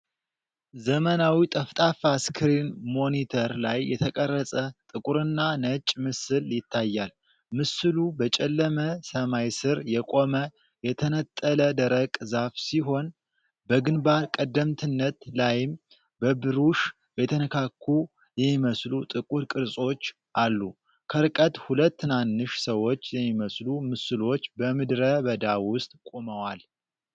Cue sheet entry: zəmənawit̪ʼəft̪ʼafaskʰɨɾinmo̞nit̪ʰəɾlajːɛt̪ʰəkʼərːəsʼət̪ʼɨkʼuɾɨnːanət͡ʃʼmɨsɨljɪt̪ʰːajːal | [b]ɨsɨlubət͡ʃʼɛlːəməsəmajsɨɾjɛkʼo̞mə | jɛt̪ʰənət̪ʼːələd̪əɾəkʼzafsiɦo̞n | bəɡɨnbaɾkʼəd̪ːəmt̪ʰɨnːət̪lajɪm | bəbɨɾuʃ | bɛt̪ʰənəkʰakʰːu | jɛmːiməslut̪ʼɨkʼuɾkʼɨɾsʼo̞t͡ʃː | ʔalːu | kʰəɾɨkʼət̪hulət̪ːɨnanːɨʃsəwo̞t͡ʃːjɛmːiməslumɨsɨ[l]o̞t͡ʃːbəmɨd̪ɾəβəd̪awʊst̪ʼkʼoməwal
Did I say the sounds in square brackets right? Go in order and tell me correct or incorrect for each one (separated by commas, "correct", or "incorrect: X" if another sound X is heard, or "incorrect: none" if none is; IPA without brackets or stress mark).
incorrect: m, correct